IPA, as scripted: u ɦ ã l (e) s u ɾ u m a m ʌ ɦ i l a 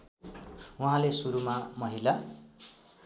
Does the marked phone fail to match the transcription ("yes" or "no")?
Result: no